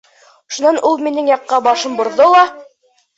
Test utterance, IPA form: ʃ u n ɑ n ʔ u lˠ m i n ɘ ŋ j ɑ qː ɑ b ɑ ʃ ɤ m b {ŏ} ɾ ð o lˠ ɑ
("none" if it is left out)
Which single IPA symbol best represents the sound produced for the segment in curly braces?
ŏ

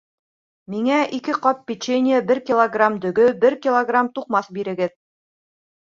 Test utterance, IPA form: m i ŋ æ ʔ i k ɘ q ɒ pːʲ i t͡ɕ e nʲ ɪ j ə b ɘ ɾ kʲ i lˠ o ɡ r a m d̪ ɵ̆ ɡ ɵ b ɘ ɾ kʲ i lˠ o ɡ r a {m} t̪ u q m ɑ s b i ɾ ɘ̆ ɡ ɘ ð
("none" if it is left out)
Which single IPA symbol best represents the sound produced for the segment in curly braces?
m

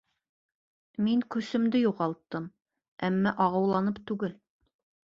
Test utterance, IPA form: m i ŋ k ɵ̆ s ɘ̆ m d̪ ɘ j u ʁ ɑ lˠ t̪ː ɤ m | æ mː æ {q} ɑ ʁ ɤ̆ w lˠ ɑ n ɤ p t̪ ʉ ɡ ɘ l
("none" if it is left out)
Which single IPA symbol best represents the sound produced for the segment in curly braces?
ʔ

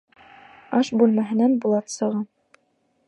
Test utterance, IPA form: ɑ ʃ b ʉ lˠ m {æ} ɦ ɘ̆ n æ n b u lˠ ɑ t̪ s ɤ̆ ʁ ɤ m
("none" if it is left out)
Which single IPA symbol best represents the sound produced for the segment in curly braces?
æ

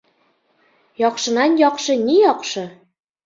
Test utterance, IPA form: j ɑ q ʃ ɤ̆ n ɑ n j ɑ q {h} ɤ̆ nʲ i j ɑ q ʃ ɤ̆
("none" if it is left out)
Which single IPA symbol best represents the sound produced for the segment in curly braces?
ʃ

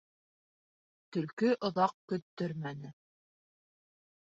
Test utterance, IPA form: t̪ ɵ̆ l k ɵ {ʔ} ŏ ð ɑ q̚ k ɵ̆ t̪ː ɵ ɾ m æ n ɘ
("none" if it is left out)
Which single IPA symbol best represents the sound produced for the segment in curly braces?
ʔ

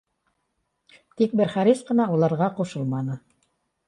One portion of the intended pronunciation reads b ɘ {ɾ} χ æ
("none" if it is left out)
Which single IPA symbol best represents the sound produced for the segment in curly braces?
ɾ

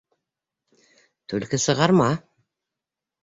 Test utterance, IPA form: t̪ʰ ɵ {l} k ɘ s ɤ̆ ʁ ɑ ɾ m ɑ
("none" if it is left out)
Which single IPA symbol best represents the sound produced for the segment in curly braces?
l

